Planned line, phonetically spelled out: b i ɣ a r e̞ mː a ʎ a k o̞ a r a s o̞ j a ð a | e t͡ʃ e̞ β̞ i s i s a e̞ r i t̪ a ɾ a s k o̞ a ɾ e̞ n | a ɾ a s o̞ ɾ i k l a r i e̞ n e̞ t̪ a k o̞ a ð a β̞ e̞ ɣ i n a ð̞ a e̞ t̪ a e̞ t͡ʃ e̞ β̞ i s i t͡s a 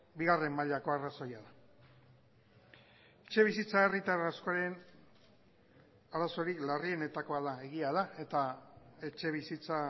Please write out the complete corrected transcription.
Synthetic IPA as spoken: b i ɣ a r e̞ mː a ʎ a k o̞ a r a s o̞ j a ð a | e t͡ʃ e̞ β̞ i s i t͡s a e̞ r i t̪ a ɾ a s k o̞ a ɾ e̞ n | a ɾ a s o̞ ɾ i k l a r i e̞ n e̞ t̪ a k o̞ a ð a e̞ ɣ i a ð̞ a e̞ t̪ a e̞ t͡ʃ e̞ β̞ i s i t͡s a

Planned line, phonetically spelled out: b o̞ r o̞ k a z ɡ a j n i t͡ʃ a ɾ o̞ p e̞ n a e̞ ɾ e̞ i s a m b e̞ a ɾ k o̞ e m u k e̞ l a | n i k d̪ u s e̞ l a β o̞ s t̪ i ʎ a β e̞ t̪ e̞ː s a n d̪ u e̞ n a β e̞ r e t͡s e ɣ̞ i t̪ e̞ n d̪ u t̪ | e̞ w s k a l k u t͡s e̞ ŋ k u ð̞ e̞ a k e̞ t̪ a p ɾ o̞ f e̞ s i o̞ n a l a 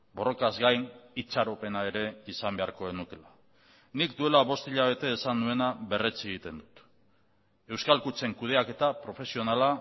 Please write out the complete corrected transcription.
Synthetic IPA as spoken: b o̞ r o̞ k a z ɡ a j n i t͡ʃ a ɾ o̞ p e̞ n a e̞ ɾ e̞ i s a m b e̞ a ɾ k o̞ e n u k e̞ l a | n i k d̪ u e̞ l a β o̞ s t̪ i ʎ a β e̞ t̪ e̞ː s a n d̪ u e̞ n a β e̞ r e t͡s e ɣ̞ i t̪ e̞ n d̪ u t̪ | e̞ w s k a l k u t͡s e̞ ŋ k u ð̞ e̞ a k e̞ t̪ a p ɾ o̞ f e̞ s i o̞ n a l a

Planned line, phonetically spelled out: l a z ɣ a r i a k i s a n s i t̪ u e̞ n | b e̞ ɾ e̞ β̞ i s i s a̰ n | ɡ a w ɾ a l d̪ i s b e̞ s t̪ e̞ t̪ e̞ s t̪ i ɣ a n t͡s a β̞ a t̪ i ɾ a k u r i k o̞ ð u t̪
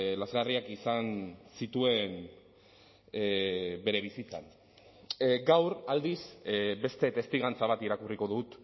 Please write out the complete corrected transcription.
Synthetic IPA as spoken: l a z ɣ a r i a k i s a n s i t̪ u e̞ n | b e̞ ɾ e̞ β̞ i s i t͡s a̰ n | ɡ a w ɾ a l d̪ i s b e̞ s t̪ e̞ t̪ e̞ s t̪ i ɣ a n t͡s a β̞ a t̪ i ɾ a k u r i k o̞ ð u t̪

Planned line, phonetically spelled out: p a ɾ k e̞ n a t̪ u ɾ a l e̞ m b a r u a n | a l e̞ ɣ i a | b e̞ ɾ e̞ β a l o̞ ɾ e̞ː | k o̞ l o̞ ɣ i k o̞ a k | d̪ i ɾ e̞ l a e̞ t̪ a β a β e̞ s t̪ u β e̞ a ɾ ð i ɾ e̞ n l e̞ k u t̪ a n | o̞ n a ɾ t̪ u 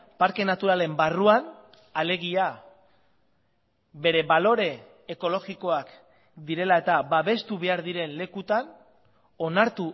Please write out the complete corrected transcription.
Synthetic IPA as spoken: p a ɾ k e̞ n a t̪ u ɾ a l e̞ m b a r u a n | a l e̞ ɣ i a | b e̞ ɾ e̞ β a l o̞ ɾ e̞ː | k o̞ l o̞ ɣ i k o̞ a k | d̪ i ɾ e̞ l a e̞ t̪ a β a β e̞ s t̪ u β e̞ a ɾ ð i ɾ e̞ n l e̞ k u t̪ a n | o̞ n a ɾ t̪ u

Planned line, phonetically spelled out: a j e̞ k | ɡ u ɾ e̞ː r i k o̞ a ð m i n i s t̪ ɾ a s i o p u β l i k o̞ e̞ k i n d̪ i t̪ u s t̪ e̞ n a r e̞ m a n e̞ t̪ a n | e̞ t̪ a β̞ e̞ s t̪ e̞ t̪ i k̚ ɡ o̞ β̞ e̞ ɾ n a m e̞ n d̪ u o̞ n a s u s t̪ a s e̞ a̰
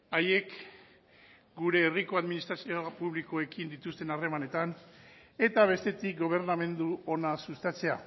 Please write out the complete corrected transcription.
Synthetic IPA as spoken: a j e̞ k | ɡ u ɾ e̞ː r i k o̞ a ð m i n i s t̪ ɾ a s i o p u β l i k o̞ e̞ k i n d̪ i t̪ u s t̪ e̞ n a r e̞ m a n e̞ t̪ a n | e̞ t̪ a β̞ e̞ s t̪ e̞ t̪ i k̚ ɡ o̞ β̞ e̞ ɾ n a m e̞ n d̪ u o̞ n a s u s t̪ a t͡s e̞ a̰

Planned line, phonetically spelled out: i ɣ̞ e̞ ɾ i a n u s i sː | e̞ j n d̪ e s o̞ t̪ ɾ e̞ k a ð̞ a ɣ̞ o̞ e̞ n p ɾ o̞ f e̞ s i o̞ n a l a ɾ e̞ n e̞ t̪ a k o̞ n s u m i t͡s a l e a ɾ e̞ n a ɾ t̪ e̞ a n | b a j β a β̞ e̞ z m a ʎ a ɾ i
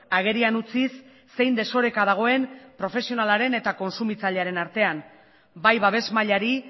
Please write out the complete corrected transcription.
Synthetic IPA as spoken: a ɣ̞ e̞ ɾ i a n u t͡s i sː | e̞ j n d̪ e s o̞ ɾ e̞ k a ð̞ a ɣ̞ o̞ e̞ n p ɾ o̞ f e̞ s i o̞ n a l a ɾ e̞ n e̞ t̪ a k o̞ n s u m i t͡s a ʎ e a ɾ e̞ n a ɾ t̪ e̞ a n | b a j β a β̞ e̞ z m a ʎ a ɾ i

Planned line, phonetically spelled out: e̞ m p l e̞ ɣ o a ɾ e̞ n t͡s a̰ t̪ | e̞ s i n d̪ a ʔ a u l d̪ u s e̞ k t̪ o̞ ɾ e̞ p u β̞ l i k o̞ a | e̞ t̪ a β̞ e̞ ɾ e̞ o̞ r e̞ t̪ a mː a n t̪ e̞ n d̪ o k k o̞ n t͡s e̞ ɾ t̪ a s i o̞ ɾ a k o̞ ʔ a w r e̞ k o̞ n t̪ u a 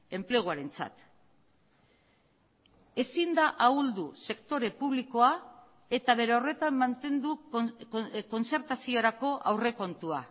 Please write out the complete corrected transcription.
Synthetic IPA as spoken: e̞ m p l e̞ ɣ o a ɾ e̞ n t͡s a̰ t̪ | e̞ s i n d̪ a ʔ a u l d̪ u s e̞ k t̪ o̞ ɾ e̞ p u β̞ l i k o̞ a | e̞ t̪ a β̞ e̞ ɾ e̞ o̞ r e̞ t̪ a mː a n t̪ e̞ n d̪ u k k o̞ n t͡s e̞ ɾ t̪ a s i o̞ ɾ a k o̞ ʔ a w r e̞ k o̞ n t̪ u a

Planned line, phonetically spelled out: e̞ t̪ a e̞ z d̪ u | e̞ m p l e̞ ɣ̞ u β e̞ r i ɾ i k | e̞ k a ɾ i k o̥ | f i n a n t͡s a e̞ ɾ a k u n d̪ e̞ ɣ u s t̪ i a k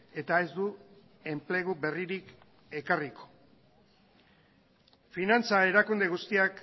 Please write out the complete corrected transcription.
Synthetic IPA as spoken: e̞ t̪ a e̞ z d̪ u | e̞ m p l e̞ ɣ̞ u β e̞ r i ɾ i k | e̞ k a r i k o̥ | f i n a n t͡s a e̞ ɾ a k u n d̪ e̞ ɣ u s t̪ i a k

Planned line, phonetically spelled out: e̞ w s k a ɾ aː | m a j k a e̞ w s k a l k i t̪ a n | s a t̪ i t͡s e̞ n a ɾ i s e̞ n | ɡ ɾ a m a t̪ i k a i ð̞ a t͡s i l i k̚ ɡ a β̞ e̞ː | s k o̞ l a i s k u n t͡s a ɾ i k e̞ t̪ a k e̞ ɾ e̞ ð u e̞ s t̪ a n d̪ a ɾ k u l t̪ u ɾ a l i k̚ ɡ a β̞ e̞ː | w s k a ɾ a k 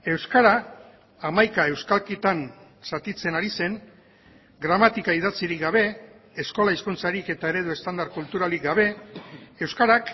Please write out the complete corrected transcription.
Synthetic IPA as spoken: e̞ w s k a ɾ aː | m a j k a e̞ w s k a l k i t̪ a n | s a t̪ i t͡s e̞ n a ɾ i s e̞ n | ɡ ɾ a m a t̪ i k a i ð̞ a t͡s i ɾ i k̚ ɡ a β̞ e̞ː | s k o̞ l a i s k u n t͡s a ɾ i k e̞ t̪ a e̞ ɾ e̞ ð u e̞ s t̪ a n d̪ a ɾ k u l t̪ u ɾ a l i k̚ ɡ a β̞ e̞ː | w s k a ɾ a k

